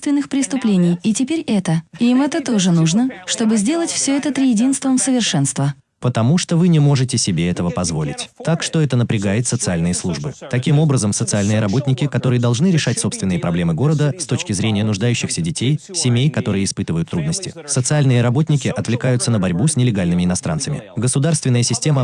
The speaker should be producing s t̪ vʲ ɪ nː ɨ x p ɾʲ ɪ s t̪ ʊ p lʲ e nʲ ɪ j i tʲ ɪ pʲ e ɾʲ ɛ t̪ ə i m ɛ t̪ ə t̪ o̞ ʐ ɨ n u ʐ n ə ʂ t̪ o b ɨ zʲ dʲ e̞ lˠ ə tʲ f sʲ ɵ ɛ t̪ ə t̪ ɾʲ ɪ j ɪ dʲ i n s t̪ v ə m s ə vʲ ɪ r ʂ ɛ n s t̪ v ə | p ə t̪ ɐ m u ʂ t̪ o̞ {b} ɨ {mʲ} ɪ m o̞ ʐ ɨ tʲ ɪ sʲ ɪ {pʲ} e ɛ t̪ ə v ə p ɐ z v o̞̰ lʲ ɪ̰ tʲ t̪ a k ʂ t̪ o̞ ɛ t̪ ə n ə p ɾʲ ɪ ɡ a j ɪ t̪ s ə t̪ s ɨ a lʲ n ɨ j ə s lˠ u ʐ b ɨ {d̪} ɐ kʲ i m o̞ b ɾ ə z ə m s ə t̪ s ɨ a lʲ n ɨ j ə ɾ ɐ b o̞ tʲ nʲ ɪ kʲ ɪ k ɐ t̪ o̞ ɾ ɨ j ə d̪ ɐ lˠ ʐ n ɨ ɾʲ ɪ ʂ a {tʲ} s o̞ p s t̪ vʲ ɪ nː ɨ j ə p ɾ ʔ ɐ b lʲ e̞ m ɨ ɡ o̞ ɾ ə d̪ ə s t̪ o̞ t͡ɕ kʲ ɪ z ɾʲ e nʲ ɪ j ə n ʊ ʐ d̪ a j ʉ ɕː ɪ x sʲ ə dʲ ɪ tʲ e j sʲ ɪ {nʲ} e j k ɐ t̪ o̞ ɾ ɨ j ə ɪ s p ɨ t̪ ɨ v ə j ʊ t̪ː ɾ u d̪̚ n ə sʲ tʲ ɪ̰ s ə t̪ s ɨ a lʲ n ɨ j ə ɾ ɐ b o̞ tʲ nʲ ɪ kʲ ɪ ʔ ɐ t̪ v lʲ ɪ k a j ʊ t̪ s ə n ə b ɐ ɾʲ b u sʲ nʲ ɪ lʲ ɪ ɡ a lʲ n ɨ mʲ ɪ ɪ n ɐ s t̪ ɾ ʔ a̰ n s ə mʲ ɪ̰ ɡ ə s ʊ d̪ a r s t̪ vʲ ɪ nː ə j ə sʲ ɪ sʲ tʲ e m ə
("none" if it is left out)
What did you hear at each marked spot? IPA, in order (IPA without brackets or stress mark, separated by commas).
v, nʲ, bʲ, t̪, tʲ, mʲ